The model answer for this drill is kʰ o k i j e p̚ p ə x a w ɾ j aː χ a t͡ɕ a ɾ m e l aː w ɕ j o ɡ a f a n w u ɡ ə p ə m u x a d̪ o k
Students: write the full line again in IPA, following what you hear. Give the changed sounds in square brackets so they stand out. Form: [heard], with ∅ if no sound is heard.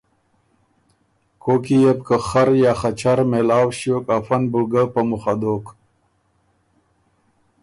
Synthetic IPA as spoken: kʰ o k i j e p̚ [k] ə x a [∅] ɾ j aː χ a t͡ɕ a ɾ m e l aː w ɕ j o [k] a f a n [b] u ɡ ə p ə m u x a d̪ o k